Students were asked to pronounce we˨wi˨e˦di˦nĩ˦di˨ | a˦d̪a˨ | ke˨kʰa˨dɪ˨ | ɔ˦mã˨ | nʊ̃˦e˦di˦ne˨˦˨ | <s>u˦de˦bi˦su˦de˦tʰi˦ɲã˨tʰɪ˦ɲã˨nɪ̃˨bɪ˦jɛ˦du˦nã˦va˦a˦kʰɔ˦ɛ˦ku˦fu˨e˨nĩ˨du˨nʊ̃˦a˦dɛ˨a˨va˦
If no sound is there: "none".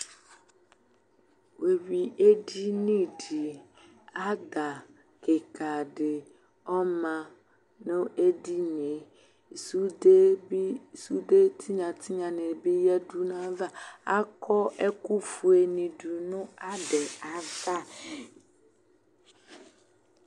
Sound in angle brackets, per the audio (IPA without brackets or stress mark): s